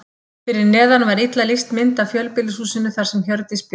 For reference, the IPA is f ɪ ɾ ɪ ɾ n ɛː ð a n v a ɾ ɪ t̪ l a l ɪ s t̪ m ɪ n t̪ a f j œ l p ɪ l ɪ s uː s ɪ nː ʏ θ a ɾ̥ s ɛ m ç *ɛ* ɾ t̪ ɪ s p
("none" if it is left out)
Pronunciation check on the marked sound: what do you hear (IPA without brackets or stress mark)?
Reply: œ